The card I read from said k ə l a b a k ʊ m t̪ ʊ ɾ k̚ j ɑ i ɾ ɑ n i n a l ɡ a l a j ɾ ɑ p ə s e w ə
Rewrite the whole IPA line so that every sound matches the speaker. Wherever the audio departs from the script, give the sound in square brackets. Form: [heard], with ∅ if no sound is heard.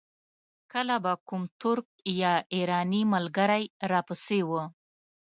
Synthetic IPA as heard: k ə l a b a k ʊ m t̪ ʊ ɾ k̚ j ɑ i ɾ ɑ n i [m] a l ɡ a [ɾ] a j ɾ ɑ p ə s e w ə